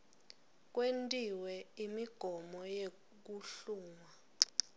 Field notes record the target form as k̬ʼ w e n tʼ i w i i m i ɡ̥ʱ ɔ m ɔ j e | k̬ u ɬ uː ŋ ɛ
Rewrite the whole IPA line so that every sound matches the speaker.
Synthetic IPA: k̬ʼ w e n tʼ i w ɛ i m i ɡ̥ʱ ɔ m ɔ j e | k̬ u ɬ uː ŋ a